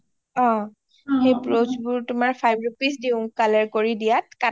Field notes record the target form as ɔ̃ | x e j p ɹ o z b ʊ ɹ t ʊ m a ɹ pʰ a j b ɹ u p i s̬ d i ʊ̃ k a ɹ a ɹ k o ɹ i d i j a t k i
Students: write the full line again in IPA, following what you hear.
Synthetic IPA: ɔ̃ | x e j p ɹ o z b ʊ ɹ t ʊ m a ɹ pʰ a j b ɹ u p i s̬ d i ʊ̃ k a l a ɹ k o ɹ i d i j a t k a